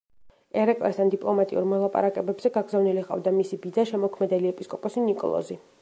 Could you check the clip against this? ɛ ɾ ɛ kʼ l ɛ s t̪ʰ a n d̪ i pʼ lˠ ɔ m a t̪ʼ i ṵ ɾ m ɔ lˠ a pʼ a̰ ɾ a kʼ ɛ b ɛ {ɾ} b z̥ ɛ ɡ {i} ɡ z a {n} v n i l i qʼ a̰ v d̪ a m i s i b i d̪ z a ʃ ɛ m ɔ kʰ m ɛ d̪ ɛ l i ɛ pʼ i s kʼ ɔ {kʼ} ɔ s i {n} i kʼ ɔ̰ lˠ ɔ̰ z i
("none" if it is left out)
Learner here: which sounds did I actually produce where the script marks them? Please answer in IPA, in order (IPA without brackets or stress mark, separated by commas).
none, a, none, pʼ, n